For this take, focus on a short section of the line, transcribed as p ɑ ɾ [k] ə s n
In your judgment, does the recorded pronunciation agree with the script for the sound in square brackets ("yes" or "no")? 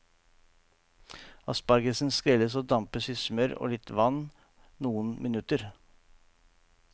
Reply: no